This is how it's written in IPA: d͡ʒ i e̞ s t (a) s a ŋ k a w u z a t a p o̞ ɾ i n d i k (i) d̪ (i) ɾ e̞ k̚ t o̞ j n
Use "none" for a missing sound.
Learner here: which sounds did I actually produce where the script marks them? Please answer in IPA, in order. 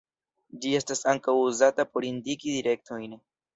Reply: a, i, i

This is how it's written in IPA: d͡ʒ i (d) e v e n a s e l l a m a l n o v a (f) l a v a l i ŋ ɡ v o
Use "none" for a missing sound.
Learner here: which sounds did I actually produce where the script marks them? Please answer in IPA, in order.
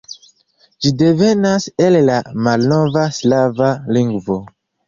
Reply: d, s

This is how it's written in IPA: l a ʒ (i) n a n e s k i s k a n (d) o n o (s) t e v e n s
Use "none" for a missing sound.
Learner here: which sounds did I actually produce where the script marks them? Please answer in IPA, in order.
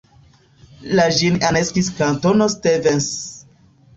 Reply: i, t, s

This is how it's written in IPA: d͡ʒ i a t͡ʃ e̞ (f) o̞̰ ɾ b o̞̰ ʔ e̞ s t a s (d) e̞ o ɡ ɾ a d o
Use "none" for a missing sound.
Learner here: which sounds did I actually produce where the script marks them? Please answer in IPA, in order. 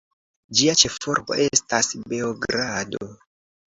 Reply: f, b

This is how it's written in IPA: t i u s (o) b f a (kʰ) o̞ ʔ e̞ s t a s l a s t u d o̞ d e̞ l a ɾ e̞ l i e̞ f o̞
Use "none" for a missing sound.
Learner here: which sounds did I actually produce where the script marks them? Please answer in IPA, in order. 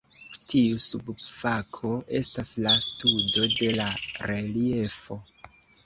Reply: u, kʰ

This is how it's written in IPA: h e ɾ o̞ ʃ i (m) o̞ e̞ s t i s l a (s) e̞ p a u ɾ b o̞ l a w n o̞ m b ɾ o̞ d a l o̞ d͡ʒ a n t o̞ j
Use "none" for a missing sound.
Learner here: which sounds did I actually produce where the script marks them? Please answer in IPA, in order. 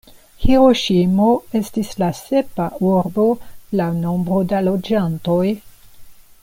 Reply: m, s

